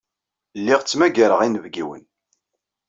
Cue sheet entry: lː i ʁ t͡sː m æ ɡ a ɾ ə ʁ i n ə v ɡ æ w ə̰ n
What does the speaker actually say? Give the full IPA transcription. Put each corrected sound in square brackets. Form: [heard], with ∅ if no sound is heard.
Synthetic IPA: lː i ʁ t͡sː m æ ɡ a ɾ ə ʁ i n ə v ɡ [i] w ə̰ n

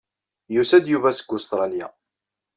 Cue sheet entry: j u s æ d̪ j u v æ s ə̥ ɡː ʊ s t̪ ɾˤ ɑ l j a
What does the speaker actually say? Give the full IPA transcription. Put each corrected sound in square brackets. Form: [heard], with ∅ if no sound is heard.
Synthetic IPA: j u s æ d̪ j u v æ s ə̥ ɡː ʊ s t̪ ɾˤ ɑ l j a

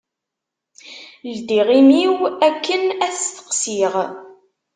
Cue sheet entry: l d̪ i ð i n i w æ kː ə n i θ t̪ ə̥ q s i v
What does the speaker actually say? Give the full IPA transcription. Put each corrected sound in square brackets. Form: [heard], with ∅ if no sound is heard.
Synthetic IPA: l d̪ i [ʁ] i [m] i w æ kː ə n [æ] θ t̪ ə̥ q s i [ʁ]

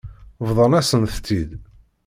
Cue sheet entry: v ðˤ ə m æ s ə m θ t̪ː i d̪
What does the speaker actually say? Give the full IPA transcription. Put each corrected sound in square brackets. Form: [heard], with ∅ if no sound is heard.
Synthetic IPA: v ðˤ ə [n] æ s ə [n] θ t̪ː i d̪

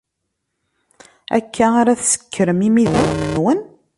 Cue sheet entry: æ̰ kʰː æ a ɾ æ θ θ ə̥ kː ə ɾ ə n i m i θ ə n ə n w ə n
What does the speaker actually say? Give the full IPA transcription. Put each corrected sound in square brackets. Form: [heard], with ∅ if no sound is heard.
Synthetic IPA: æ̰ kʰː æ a ɾ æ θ [s] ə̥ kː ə ɾ ə [m] i m i [ð] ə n ə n w ə n

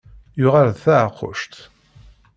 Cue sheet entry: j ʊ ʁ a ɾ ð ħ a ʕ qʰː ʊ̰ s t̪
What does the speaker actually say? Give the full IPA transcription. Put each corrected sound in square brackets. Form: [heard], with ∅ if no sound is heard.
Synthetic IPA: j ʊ ʁ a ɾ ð [θ] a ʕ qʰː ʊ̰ [ʃ] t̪

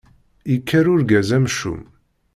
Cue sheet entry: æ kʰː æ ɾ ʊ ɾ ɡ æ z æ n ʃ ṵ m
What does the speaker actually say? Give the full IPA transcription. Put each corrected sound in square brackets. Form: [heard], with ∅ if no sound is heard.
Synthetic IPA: [i] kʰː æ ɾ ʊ ɾ ɡ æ z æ [m] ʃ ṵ m

